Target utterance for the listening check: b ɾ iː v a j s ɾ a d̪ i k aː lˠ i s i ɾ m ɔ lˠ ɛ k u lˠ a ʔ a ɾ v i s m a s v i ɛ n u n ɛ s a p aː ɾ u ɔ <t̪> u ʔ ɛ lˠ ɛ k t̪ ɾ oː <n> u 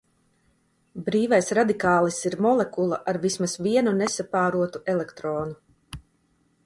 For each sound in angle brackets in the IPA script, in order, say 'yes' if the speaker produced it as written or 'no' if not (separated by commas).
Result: yes, yes